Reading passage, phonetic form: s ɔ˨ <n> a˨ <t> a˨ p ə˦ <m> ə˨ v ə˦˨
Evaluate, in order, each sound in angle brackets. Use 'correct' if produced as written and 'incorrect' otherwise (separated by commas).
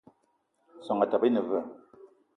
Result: incorrect, correct, incorrect